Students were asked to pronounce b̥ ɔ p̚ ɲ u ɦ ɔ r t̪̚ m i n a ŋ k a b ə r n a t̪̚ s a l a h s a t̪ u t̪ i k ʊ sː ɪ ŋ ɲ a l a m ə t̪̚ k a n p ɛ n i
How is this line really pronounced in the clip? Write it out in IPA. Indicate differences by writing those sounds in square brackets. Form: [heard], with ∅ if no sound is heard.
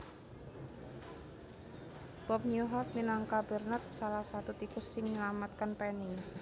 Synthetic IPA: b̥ ɔ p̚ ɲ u ɦ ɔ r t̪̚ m i n a ŋ k a b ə r n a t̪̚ s a l a h s a t̪ u t̪ i k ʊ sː ɪ ŋ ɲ [ə] l a m [a] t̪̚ k a n p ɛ n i